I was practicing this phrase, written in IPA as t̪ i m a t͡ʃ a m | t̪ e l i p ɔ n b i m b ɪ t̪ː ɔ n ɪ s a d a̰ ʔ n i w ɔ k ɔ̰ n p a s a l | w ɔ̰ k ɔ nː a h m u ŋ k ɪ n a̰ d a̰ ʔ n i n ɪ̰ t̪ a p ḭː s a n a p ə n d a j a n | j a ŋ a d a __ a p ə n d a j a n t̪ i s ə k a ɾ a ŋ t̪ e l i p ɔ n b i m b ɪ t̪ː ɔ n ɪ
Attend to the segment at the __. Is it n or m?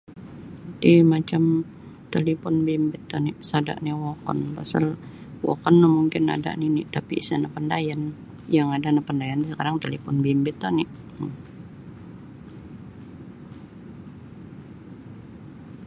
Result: n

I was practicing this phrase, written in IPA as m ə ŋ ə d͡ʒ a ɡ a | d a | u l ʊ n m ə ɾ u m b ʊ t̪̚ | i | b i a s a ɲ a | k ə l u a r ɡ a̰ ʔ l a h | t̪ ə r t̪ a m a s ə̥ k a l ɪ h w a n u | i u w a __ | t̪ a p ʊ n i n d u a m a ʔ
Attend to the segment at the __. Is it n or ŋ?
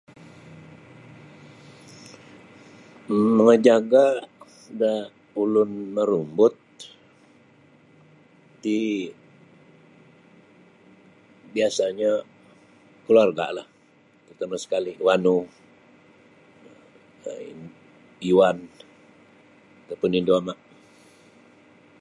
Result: n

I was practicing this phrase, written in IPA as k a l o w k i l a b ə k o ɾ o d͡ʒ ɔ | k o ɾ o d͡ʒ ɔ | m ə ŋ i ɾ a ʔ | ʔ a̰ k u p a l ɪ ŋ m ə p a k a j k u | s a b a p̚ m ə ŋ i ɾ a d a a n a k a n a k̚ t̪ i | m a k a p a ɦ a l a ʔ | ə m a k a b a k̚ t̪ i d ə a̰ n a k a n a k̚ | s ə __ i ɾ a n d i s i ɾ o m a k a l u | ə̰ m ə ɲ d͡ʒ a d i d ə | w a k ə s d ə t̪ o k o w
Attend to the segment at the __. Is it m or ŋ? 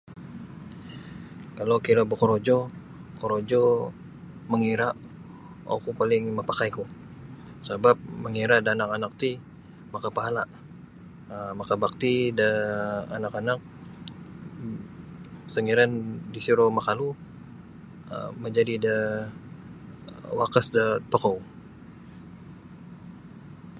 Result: ŋ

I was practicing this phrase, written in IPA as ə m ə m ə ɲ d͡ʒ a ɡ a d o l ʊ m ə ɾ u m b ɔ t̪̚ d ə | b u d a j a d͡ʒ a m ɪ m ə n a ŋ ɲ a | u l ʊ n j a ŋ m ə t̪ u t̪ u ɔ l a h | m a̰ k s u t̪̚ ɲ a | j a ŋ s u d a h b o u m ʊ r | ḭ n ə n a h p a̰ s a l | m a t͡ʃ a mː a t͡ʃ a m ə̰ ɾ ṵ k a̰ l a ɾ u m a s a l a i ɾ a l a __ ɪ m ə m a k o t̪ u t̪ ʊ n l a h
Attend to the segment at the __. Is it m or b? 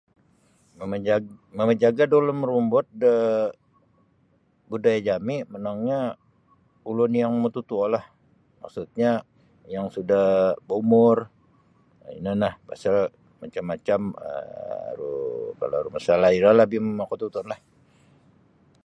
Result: b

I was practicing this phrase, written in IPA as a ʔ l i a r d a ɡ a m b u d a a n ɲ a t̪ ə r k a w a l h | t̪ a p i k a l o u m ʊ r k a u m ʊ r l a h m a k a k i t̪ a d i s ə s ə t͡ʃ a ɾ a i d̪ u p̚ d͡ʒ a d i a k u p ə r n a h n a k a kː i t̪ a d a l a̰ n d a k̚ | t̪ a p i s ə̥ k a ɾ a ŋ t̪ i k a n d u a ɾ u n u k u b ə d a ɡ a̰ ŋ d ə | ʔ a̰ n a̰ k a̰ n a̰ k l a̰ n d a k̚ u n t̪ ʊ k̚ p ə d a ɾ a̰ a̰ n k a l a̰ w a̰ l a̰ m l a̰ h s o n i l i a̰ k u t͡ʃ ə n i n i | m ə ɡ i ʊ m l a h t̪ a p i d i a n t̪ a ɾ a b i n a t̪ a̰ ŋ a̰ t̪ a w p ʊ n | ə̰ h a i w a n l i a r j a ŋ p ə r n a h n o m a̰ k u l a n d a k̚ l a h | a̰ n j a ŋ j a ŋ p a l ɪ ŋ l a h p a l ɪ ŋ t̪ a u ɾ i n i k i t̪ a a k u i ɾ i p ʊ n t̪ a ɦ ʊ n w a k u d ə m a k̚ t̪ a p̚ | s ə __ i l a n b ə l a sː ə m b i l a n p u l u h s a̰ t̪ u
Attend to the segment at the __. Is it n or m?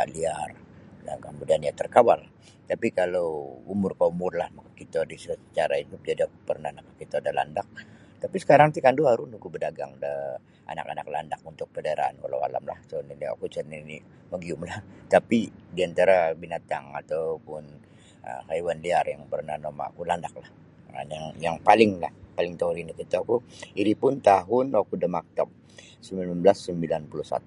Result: m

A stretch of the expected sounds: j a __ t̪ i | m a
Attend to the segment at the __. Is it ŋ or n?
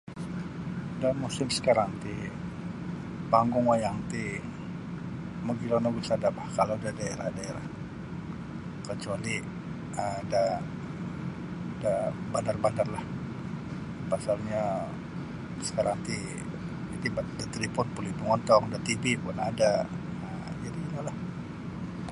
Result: ŋ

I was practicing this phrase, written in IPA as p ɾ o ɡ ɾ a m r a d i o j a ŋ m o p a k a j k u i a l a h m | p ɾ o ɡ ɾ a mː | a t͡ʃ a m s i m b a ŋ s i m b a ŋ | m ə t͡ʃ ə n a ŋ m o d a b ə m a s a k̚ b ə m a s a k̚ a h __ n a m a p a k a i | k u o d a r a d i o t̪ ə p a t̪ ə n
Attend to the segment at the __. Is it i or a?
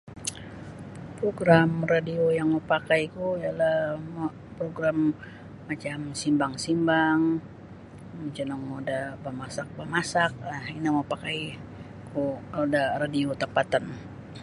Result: i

